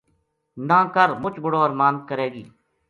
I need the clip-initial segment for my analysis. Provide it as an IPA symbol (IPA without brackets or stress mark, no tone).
n